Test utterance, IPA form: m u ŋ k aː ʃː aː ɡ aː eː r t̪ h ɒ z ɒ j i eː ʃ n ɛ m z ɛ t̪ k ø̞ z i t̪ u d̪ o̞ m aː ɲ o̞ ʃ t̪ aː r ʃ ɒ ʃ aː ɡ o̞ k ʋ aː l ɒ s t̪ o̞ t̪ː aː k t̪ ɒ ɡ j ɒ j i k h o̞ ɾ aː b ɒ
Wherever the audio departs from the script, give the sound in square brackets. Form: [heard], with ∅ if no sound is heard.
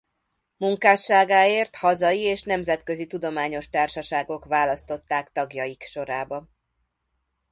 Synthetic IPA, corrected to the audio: m u ŋ k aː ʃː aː ɡ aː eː r t̪ h ɒ z ɒ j i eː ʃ n ɛ m z ɛ t̪ k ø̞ z i t̪ u d̪ o̞ m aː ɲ o̞ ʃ t̪ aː r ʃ ɒ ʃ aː ɡ o̞ k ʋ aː l ɒ s t̪ o̞ t̪ː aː k t̪ ɒ ɡ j ɒ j i k [ʃ] o̞ ɾ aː b ɒ